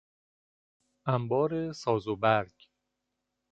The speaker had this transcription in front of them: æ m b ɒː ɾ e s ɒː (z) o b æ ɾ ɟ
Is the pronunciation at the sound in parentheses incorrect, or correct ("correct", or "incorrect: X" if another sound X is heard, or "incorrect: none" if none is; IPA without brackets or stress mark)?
correct